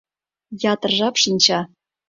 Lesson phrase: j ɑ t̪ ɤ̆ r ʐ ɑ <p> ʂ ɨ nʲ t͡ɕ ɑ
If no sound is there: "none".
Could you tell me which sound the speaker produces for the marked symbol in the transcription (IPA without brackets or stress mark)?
p